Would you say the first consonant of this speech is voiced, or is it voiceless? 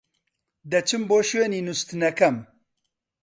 voiced